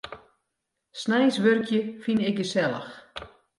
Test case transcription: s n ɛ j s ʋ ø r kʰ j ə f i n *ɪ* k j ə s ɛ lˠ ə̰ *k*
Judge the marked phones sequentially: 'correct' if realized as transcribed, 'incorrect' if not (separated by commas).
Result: correct, incorrect